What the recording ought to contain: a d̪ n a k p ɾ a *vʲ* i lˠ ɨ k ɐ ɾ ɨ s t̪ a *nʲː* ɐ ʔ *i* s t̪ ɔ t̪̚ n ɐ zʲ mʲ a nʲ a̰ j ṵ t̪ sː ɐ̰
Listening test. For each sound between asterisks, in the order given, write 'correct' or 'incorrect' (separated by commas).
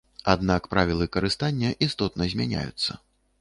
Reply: correct, correct, correct